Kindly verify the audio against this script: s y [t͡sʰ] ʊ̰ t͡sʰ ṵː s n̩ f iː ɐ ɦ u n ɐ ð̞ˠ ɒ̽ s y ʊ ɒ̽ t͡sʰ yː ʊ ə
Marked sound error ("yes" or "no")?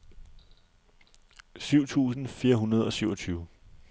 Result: yes